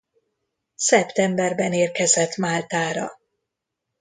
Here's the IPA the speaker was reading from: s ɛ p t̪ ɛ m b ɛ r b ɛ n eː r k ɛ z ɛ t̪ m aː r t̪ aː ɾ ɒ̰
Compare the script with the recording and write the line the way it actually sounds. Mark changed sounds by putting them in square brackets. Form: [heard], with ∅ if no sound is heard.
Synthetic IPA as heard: s ɛ p t̪ ɛ m b ɛ r b ɛ n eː r k ɛ z ɛ t̪ m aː [l] t̪ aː ɾ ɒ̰